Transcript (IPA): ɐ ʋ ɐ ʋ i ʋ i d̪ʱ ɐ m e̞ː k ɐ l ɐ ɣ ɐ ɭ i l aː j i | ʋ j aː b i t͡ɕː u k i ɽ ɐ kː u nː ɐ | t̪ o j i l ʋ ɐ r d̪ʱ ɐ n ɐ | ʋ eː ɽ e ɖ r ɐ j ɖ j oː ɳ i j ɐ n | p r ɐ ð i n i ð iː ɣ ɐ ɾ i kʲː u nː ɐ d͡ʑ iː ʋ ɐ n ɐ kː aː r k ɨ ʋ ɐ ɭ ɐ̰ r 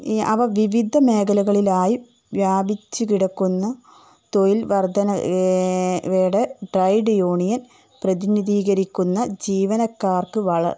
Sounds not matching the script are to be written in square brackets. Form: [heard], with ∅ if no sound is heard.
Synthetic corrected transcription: ɐ ʋ ɐ ʋ i ʋ i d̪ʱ ɐ m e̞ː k ɐ l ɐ ɣ ɐ ɭ i l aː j i | ʋ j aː b i t͡ɕː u k i ɽ ɐ kː u nː ɐ | t̪ o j i l ʋ ɐ r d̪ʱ ɐ n ɐ | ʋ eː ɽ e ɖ r ɐ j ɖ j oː ɳ i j ɐ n | p r ɐ ð i n i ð iː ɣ ɐ ɾ i kʲː u nː ɐ d͡ʑ iː ʋ ɐ n ɐ kː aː r k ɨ ʋ ɐ ɭ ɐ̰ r